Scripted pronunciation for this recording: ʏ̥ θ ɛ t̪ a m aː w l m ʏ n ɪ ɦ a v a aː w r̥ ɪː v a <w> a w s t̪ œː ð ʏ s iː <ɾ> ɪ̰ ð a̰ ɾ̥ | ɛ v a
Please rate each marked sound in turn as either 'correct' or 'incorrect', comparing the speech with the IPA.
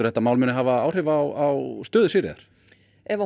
correct, correct

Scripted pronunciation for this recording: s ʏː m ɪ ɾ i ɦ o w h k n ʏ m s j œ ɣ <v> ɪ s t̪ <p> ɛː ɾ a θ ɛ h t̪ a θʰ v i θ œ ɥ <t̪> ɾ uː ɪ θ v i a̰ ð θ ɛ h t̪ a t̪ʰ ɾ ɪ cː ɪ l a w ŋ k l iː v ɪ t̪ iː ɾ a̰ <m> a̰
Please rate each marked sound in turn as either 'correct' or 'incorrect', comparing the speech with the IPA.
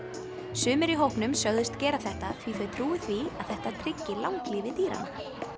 incorrect: ð, incorrect: c, incorrect: t̪ʰ, incorrect: n

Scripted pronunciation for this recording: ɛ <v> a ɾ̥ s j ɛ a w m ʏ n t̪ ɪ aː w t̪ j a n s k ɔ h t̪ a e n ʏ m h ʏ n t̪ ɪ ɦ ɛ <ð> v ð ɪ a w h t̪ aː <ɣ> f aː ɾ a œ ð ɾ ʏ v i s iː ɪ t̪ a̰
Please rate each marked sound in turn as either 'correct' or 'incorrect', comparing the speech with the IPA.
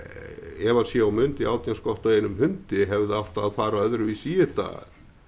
correct, incorrect: none, incorrect: ð

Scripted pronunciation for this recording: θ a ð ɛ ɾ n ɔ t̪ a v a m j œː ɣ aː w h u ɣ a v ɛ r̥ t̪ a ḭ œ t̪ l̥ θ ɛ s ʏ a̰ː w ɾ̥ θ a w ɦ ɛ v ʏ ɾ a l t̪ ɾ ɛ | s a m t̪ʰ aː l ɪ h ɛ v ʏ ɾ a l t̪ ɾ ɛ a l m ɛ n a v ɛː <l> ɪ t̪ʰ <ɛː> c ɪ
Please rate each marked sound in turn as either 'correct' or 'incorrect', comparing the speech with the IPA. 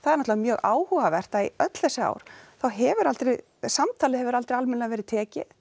incorrect: ɾ, correct

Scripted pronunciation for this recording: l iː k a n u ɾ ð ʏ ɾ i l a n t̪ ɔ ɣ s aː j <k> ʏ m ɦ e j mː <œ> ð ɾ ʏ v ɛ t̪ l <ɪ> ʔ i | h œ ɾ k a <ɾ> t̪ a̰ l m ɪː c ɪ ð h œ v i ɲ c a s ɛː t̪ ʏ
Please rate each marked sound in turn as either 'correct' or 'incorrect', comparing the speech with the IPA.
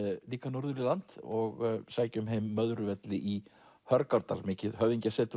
incorrect: c, correct, correct, correct

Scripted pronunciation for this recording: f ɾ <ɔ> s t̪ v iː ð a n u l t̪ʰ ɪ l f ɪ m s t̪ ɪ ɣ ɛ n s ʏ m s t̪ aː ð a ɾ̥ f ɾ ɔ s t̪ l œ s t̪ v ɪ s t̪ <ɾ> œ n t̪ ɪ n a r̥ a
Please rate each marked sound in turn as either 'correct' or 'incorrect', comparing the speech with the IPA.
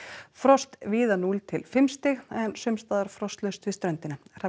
correct, correct

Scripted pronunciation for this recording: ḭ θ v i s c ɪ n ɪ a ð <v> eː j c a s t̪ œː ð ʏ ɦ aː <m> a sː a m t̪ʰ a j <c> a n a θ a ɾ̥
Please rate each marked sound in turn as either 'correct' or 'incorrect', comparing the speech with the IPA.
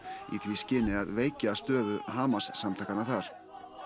correct, correct, incorrect: k

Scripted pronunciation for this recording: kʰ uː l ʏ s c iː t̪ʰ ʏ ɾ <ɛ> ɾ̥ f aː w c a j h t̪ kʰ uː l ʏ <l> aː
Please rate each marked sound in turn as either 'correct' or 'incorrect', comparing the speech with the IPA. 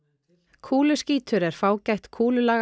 correct, correct

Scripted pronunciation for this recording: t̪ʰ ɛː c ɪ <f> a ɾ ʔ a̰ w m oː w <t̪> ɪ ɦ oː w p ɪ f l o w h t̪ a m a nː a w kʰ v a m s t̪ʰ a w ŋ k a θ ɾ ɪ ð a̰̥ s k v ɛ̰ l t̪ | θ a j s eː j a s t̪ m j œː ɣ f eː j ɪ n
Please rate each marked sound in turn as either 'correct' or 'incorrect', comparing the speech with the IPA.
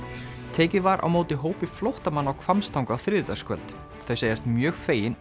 incorrect: v, correct

